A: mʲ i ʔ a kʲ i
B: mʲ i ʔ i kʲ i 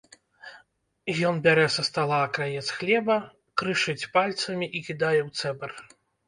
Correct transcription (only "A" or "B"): B